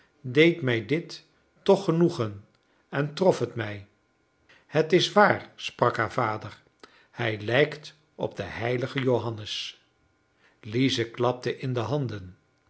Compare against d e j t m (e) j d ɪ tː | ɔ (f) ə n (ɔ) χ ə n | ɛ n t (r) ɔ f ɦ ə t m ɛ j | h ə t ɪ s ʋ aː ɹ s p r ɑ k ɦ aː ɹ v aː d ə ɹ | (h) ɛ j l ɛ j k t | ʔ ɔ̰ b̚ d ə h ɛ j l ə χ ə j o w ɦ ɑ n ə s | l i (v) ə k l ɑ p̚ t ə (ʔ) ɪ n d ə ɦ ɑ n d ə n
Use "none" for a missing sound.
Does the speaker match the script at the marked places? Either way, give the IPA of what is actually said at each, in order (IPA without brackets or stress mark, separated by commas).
ɛ, χ, u, r, h, z, ʔ